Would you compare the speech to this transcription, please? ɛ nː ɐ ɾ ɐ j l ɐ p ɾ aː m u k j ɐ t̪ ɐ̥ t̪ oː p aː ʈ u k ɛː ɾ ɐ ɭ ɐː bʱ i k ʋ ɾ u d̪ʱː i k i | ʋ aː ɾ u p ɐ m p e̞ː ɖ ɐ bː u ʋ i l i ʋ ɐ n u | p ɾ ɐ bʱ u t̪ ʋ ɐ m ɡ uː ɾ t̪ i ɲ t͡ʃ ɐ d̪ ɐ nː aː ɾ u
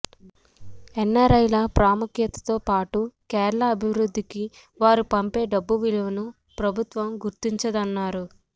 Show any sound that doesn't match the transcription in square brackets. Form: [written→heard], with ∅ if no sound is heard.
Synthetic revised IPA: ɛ nː ɐ ɾ ɐ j l ɐ p ɾ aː m u k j ɐ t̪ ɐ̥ t̪ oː p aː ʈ u k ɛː ɾ ɐ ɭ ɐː bʱ i [k→∅] ʋ ɾ u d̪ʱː i k i | ʋ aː ɾ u p ɐ m p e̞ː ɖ ɐ bː u ʋ i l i ʋ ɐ n u | p ɾ ɐ bʱ u t̪ ʋ ɐ m ɡ [uː→u] ɾ t̪ i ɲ t͡ʃ ɐ d̪ ɐ nː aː ɾ u